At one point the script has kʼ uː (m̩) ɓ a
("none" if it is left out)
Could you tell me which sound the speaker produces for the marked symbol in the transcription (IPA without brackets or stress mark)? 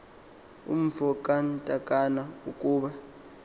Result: none